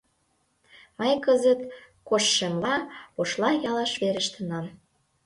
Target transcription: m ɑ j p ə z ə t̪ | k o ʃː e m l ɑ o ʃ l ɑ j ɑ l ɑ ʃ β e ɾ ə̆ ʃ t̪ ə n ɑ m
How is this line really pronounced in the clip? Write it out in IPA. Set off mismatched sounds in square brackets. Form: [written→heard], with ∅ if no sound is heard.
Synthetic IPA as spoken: m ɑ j [p→k] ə z ə t̪ | k o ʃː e m l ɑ o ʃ l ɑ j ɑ l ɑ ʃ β e ɾ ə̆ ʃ t̪ ə n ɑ m